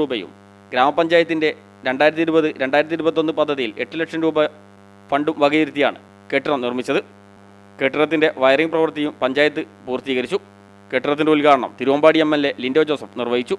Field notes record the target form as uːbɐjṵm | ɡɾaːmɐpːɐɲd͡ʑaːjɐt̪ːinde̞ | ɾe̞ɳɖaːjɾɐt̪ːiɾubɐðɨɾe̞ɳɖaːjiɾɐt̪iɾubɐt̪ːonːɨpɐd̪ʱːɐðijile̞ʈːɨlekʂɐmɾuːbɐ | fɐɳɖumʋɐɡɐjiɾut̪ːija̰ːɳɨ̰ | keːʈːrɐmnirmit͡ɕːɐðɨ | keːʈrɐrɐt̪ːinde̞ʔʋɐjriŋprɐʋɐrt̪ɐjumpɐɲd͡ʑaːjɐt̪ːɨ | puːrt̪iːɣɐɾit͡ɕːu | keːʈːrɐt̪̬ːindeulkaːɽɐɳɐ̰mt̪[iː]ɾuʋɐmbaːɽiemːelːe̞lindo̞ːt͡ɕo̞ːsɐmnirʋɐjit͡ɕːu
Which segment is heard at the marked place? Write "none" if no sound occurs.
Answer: i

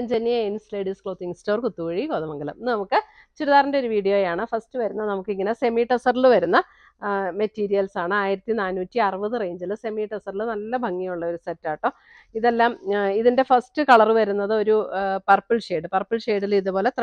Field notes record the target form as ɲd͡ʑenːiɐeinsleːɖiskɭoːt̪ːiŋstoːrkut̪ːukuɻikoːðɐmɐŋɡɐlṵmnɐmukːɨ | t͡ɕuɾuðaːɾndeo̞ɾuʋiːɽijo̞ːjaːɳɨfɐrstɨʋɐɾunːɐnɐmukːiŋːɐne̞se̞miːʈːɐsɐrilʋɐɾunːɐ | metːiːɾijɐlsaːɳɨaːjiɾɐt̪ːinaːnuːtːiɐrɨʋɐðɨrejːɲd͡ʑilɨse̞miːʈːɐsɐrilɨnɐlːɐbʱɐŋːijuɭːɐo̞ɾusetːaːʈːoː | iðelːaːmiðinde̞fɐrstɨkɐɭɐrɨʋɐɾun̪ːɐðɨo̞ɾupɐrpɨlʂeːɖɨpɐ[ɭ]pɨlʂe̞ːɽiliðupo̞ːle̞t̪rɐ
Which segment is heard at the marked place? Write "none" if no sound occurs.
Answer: r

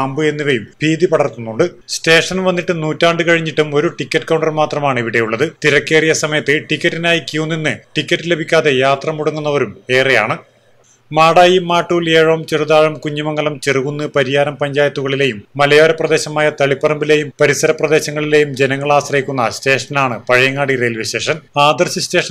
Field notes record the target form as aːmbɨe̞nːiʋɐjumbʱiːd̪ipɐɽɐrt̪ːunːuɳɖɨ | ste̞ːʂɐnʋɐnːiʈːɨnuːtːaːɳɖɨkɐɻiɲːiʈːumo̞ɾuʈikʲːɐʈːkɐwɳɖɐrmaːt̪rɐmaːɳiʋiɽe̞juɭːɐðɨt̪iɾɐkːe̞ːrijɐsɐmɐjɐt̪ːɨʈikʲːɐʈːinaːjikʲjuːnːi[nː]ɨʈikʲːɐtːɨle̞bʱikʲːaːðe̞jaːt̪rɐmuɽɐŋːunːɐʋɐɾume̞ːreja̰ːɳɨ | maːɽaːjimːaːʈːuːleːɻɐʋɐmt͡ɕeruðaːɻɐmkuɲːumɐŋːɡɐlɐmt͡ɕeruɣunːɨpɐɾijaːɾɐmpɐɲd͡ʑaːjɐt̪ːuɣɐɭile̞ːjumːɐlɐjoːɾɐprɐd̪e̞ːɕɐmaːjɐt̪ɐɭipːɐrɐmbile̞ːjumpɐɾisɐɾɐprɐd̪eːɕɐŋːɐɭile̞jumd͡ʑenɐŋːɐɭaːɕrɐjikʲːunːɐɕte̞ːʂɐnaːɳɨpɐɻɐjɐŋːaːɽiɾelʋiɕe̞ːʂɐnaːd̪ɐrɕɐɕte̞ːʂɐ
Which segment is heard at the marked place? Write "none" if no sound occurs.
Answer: nː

